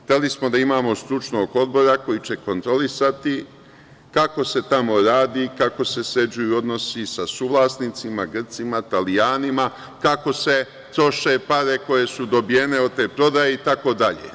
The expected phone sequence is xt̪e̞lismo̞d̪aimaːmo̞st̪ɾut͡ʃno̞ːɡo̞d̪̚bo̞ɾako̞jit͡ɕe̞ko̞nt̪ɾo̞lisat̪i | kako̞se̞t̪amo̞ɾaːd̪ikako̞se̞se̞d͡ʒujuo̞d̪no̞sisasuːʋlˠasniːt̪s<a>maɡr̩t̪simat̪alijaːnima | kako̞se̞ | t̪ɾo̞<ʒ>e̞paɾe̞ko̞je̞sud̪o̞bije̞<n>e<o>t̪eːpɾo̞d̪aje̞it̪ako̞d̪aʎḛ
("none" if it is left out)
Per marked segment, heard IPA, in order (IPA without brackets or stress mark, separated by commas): i, ʃ, n, o